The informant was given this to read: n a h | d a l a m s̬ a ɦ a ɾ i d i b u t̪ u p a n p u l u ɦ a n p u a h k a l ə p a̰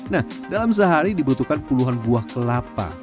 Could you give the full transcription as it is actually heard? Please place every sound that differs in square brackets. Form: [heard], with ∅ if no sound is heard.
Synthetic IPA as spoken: n a h | d a l a m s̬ [ə] ɦ a ɾ i d i b u t̪ u [k] a n p u l u ɦ a n [b] u a h k [ə] l [a] p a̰